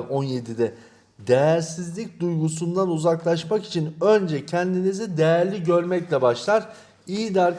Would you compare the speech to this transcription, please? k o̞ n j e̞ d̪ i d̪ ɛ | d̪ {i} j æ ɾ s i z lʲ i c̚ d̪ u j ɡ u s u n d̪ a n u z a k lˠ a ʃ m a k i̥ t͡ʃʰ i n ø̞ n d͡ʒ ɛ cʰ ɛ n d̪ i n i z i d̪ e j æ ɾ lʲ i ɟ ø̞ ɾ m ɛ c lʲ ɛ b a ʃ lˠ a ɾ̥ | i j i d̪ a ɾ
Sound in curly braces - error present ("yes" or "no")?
yes